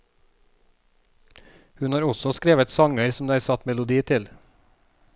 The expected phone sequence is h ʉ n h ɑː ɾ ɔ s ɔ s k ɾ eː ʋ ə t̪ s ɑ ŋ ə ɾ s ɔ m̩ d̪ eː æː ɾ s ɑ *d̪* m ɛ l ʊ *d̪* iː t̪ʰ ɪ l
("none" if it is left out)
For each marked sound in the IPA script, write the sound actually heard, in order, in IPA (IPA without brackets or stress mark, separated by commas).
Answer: t̪, d̪